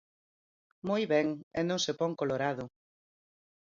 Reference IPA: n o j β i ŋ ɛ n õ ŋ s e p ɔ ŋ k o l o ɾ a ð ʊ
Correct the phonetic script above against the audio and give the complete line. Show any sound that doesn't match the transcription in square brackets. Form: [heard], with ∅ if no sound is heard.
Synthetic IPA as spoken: [m] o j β [ɛ] ŋ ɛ n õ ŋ s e p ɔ ŋ k o l o ɾ a ð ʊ